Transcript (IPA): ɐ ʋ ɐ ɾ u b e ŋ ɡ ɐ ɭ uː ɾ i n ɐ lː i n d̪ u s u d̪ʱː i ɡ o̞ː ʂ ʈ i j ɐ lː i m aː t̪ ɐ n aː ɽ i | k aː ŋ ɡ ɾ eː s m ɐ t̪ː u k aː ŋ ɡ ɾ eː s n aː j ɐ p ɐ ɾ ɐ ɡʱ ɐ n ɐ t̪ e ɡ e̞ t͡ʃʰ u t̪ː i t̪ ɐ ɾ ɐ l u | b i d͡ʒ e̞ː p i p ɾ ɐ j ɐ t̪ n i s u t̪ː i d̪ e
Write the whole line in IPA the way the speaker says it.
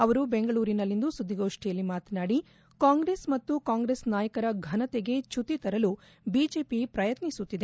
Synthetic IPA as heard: ɐ ʋ ɐ ɾ u b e ŋ ɡ ɐ ɭ uː ɾ i n ɐ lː i n d̪ u s u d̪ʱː i ɡ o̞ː ʂ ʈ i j ɐ lː i m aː t̪ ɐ n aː ɽ i | k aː ŋ ɡ ɾ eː s m ɐ t̪ː u k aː ŋ ɡ ɾ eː s n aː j ɐ k ɐ ɾ ɐ ɡʱ ɐ n ɐ t̪ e ɡ e̞ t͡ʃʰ u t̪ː i t̪ ɐ ɾ ɐ l u | b i d͡ʒ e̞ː p i p ɾ ɐ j ɐ t̪ n i s u t̪ː i d̪ e

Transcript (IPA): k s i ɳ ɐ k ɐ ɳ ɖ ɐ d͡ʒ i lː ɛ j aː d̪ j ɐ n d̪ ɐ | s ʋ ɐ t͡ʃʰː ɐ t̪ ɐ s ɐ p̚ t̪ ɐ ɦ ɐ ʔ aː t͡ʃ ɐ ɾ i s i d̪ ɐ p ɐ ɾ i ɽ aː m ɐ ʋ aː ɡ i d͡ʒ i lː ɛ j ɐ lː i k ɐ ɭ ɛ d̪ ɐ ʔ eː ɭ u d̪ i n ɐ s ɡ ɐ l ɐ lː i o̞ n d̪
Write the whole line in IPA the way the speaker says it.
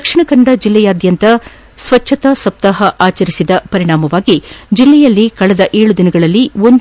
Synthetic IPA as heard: k ʂ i ɳ ɐ k ɐ ɳ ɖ ɐ d͡ʒ i lː ɛ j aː d̪ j ɐ n t̪ ɐ | s ʋ ɐ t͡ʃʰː ɐ t̪ ɐ s ɐ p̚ t̪ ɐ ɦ ɐ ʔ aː t͡ʃ ɐ ɾ i s i d̪ ɐ p ɐ ɾ i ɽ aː m ɐ ʋ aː ɡ i d͡ʒ i lː ɛ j ɐ lː i k ɐ ɭ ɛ d̪ ɐ ʔ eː ɭ u d̪ i n ɐ ɡ ɐ ɭ ɐ lː i o̞ n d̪

